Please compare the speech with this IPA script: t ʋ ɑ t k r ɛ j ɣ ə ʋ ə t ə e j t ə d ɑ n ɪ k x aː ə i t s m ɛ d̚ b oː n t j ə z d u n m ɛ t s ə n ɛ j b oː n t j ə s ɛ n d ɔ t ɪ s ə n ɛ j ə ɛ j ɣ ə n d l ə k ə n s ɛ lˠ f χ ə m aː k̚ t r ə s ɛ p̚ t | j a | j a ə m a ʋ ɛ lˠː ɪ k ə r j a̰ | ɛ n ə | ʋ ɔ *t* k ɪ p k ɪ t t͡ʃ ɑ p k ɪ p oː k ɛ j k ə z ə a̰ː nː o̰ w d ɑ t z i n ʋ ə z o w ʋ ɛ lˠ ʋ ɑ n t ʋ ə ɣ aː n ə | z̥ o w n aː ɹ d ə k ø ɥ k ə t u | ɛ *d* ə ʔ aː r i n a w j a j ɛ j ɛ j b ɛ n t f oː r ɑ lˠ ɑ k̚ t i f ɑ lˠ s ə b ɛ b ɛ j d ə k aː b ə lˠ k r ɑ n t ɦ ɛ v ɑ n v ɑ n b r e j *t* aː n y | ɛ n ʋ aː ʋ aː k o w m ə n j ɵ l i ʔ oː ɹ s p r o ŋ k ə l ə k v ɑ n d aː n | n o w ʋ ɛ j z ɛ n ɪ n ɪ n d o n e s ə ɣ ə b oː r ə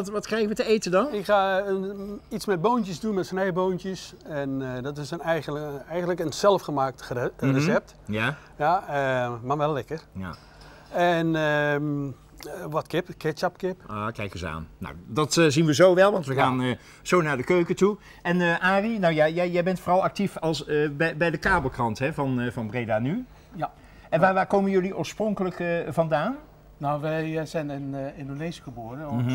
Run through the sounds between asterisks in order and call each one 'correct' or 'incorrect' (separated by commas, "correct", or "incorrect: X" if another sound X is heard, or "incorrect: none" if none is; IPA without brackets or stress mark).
correct, incorrect: n, incorrect: d